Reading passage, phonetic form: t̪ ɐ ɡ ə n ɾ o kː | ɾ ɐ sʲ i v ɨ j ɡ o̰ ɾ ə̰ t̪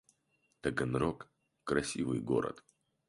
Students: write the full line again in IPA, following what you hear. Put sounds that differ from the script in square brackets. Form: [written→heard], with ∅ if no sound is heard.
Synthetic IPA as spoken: t̪ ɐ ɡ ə n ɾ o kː | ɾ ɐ sʲ i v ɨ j ɡ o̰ ɾ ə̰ t̪